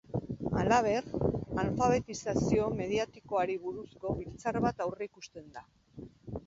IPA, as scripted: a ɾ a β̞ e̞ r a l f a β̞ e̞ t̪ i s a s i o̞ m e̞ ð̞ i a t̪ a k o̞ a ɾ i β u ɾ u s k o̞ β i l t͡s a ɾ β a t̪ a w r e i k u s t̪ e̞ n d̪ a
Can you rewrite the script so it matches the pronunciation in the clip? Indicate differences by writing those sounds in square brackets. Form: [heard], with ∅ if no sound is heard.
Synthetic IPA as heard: a [l] a β̞ e̞ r a l f a β̞ e̞ t̪ i s a s i o̞ m e̞ ð̞ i a t̪ [i] k o̞ a ɾ i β u ɾ u s k o̞ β i l t͡s a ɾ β a t̪ a w r e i k u s t̪ e̞ n d̪ a